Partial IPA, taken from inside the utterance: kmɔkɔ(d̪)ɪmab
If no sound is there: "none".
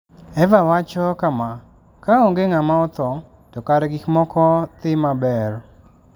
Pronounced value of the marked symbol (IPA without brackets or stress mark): t̪